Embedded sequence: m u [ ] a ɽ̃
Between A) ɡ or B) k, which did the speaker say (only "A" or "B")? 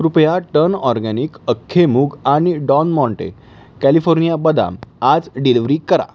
A